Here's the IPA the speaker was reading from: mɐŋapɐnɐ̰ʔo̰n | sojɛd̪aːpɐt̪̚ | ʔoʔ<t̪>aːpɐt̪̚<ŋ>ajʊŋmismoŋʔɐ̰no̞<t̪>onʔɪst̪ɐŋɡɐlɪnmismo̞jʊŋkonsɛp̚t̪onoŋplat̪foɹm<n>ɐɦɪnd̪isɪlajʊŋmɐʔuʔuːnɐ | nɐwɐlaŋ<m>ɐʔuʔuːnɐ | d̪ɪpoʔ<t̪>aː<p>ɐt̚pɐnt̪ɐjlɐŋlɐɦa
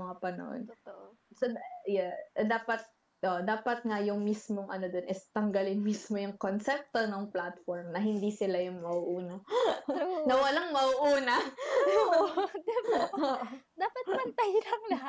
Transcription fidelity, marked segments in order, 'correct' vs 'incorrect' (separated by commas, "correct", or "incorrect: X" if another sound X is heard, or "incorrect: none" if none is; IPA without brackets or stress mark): incorrect: d̪, correct, incorrect: d̪, correct, correct, incorrect: d̪, correct